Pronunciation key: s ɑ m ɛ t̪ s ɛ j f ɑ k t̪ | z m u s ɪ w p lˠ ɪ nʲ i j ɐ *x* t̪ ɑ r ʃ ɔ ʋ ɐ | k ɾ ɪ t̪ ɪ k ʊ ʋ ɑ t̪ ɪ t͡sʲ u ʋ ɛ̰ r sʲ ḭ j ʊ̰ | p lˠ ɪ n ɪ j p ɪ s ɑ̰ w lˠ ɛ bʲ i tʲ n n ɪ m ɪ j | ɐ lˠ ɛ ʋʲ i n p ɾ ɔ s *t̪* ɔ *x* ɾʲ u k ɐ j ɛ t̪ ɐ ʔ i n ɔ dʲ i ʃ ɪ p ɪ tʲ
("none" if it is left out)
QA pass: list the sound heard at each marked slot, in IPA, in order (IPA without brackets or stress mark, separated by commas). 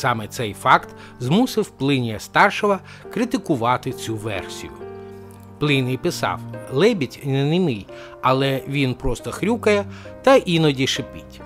s, t̪, x